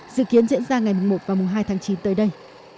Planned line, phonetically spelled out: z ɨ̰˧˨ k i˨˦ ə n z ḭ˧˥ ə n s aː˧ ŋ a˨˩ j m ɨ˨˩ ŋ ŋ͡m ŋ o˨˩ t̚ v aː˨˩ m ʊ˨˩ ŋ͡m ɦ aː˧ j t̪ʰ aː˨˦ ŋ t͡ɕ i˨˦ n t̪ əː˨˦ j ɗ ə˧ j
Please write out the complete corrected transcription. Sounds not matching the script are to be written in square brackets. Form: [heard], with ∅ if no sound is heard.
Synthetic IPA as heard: z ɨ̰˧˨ k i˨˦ ə n z ḭ˧˥ ə n [z] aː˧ ŋ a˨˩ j m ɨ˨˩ ŋ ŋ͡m [m] o˨˩ t̚ v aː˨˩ m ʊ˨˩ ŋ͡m ɦ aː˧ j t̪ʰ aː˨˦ ŋ t͡ɕ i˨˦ n t̪ əː˨˦ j ɗ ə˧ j